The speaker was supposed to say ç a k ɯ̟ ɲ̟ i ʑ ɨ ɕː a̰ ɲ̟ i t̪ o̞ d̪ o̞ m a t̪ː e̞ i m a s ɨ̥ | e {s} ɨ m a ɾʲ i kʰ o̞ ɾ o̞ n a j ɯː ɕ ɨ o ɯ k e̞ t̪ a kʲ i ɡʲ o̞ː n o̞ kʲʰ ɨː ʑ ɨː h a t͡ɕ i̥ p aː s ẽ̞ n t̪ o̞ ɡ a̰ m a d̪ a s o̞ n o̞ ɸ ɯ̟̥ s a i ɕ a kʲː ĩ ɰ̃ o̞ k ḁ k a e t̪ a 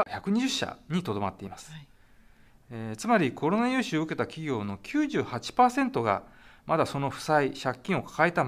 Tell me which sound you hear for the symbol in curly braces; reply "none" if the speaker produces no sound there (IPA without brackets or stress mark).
t͡s